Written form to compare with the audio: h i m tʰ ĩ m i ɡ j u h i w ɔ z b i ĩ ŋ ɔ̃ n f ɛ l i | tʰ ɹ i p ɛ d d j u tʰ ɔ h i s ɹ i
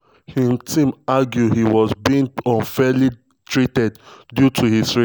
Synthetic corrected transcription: h i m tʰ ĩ m a ɡ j u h i w ɔ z b i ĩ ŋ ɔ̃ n f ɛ l i | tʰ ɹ i t ɛ d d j u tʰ u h i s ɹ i